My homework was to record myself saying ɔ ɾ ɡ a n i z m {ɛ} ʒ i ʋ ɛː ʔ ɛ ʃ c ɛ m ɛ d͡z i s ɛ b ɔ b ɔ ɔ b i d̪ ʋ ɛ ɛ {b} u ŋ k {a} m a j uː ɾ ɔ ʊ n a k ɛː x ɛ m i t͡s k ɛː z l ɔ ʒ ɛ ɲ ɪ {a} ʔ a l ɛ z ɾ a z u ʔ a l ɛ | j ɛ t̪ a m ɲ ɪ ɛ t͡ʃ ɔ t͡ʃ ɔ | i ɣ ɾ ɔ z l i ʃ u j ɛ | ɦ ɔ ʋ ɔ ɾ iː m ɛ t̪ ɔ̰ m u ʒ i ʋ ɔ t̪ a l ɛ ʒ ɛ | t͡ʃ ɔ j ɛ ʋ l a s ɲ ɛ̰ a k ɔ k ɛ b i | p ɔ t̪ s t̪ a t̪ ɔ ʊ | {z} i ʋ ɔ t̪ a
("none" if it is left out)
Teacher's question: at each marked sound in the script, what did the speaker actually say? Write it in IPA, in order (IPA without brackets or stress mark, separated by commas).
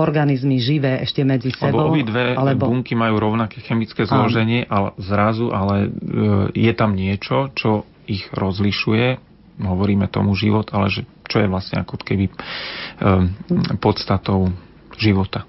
i, b, i, ɛ, ʒ